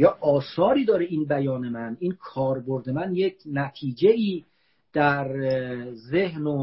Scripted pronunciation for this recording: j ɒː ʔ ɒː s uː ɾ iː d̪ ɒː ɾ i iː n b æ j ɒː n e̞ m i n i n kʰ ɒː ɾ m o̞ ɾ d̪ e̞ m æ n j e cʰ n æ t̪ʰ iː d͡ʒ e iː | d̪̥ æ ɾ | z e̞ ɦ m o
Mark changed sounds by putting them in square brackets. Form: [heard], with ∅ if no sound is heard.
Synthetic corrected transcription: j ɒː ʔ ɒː s [ɒː] ɾ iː d̪ ɒː ɾ [e] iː n b æ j ɒː n e̞ m [æ] n i n kʰ ɒː ɾ [b] o̞ ɾ d̪ e̞ m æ n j e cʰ n æ t̪ʰ iː d͡ʒ e iː | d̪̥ æ ɾ | z e̞ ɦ [n] o